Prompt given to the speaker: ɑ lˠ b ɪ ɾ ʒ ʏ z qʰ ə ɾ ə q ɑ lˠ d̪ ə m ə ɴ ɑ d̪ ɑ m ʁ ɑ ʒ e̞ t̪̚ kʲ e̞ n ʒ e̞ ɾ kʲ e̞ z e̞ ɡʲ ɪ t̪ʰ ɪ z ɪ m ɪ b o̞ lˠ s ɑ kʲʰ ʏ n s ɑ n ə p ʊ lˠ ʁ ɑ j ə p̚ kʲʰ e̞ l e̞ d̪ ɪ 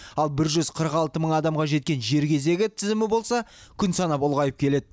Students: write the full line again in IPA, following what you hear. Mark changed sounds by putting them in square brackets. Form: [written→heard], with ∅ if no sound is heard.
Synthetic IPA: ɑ lˠ b ɪ ɾ ʒ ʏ z qʰ ə ɾ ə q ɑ lˠ [d̪→t̪] ə m ə ɴ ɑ d̪ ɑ m ʁ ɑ ʒ e̞ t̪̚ kʲ e̞ n ʒ e̞ ɾ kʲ e̞ z e̞ ɡʲ ɪ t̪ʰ ɪ z ɪ m ɪ b o̞ lˠ s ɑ kʲʰ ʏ n s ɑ n [ə→ɑ] p ʊ lˠ ʁ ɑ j ə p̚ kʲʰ e̞ l e̞ d̪ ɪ